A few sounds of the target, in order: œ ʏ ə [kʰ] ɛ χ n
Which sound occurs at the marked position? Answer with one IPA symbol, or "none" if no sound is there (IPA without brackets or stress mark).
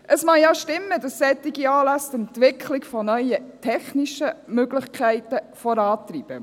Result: tʰ